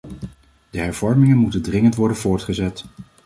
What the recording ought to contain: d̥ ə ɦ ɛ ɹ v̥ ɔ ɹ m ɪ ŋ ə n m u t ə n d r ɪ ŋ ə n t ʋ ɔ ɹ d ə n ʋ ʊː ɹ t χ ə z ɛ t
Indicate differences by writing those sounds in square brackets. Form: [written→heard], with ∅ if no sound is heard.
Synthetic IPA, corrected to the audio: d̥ ə ɦ ɛ ɹ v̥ ɔ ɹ m ɪ ŋ ə n m u t ə n d r ɪ ŋ ə n t ʋ ɔ ɹ d ə n [ʋ→v] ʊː ɹ t χ ə z ɛ t